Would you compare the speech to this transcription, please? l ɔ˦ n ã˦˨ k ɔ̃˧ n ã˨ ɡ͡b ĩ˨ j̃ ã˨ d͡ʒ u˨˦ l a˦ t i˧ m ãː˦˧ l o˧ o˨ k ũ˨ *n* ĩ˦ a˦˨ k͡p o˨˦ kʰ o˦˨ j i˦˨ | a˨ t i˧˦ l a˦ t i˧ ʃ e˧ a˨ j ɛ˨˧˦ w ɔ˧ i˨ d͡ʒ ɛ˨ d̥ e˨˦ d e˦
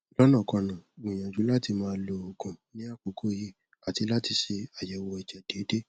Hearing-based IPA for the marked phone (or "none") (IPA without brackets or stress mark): n